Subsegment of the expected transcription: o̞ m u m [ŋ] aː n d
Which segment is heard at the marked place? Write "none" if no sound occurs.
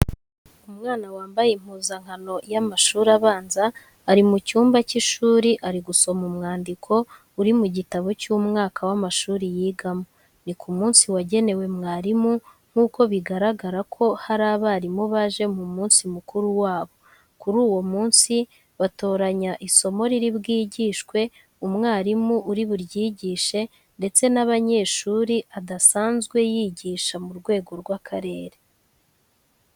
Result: ŋ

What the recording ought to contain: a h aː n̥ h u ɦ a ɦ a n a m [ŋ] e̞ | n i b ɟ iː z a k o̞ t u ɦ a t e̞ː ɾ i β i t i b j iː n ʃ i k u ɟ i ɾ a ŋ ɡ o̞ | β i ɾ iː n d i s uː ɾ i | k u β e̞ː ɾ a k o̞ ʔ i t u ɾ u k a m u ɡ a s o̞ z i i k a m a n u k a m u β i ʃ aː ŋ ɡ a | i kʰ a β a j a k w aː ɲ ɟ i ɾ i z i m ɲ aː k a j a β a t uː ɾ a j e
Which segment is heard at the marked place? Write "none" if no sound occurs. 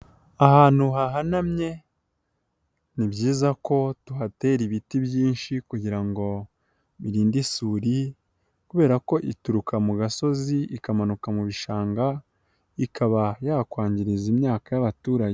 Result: ɲ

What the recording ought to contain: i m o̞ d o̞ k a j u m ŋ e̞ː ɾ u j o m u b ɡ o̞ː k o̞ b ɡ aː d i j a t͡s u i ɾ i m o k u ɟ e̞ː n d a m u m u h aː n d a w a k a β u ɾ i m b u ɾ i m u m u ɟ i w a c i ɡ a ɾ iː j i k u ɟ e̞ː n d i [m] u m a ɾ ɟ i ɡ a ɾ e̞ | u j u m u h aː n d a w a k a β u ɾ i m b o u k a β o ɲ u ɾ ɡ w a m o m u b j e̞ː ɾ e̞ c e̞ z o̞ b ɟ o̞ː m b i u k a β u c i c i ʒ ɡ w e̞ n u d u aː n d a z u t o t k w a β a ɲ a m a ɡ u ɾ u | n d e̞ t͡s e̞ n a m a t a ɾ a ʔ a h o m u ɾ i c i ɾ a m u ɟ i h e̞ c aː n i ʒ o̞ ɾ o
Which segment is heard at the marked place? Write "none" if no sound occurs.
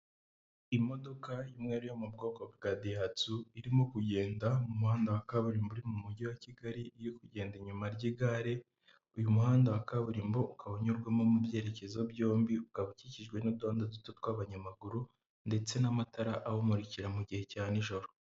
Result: ɲ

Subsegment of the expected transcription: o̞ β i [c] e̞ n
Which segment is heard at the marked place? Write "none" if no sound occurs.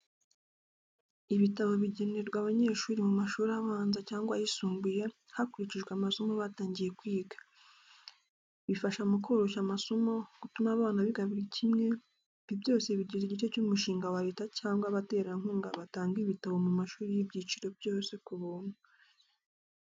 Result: ɟ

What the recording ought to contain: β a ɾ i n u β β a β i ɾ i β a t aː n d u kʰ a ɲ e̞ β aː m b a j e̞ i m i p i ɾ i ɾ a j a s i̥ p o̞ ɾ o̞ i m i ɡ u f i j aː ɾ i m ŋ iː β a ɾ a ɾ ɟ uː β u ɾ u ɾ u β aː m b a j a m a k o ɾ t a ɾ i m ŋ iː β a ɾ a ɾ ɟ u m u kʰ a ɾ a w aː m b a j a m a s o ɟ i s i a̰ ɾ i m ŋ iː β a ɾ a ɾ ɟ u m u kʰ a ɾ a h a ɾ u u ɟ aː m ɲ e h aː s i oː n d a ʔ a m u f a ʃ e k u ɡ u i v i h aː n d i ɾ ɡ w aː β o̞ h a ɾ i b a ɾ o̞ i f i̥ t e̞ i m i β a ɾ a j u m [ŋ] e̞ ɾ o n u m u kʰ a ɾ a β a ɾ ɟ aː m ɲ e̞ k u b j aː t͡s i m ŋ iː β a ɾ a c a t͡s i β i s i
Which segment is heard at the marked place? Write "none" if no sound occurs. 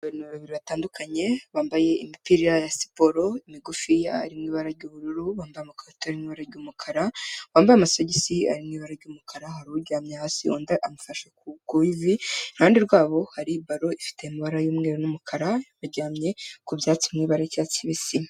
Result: ŋ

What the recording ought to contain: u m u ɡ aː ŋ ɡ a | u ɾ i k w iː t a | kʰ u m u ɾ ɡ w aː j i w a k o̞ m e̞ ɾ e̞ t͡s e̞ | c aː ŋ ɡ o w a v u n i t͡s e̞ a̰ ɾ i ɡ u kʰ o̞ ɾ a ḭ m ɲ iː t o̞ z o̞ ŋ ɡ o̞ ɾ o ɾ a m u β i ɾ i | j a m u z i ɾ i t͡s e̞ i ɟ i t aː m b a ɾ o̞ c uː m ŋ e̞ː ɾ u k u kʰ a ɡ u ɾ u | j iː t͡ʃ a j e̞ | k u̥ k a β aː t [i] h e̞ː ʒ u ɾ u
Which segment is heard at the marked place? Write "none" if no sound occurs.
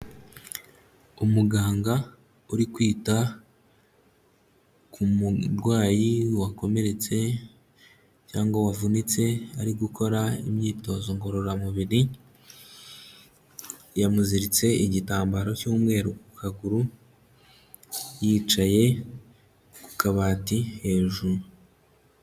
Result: i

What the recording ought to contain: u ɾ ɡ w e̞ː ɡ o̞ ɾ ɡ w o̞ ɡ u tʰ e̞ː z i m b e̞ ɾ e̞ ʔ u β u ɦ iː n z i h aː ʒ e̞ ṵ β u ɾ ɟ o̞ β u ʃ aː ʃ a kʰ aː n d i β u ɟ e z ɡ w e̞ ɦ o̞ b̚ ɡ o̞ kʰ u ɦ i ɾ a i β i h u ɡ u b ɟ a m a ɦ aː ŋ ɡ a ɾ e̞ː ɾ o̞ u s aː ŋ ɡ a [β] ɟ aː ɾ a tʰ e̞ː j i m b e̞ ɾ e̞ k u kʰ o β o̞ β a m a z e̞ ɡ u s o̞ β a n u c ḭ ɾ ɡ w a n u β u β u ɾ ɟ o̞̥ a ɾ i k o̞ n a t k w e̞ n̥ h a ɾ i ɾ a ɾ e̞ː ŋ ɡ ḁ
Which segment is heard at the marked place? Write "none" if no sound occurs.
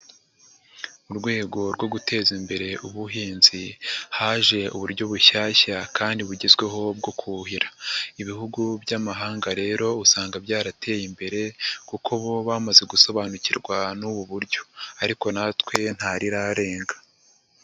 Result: b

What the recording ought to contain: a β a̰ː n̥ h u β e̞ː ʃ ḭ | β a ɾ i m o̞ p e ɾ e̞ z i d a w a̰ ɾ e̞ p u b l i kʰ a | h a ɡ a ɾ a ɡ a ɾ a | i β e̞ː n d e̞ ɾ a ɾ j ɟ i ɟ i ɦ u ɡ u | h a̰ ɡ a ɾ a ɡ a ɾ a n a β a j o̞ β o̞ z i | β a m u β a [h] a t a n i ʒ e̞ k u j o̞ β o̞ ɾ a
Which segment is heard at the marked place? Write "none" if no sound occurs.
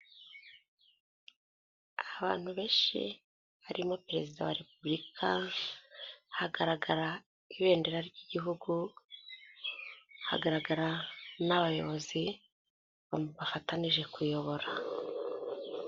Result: f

